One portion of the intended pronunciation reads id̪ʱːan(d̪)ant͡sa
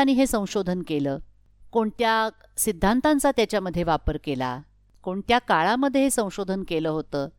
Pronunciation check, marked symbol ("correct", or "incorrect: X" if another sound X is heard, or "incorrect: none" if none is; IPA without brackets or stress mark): incorrect: t̪